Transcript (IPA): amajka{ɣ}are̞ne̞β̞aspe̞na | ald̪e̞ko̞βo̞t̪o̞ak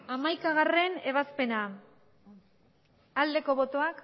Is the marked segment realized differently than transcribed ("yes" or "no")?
no